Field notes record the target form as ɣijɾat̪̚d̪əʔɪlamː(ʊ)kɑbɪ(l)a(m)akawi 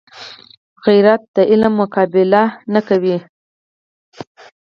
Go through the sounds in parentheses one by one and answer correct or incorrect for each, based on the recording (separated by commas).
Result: correct, correct, incorrect